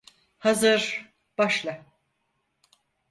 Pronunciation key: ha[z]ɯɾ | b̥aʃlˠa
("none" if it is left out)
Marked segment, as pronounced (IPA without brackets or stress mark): z